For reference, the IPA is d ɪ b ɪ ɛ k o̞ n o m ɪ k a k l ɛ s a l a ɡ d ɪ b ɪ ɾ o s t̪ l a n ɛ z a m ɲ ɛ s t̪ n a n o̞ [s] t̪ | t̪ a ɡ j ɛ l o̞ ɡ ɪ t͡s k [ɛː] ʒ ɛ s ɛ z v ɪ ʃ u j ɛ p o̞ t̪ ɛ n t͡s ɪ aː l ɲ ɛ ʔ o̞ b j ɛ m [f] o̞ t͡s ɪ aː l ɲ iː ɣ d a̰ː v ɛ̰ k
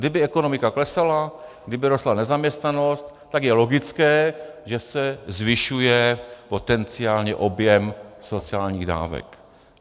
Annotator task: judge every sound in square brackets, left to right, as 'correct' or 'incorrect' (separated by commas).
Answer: correct, correct, incorrect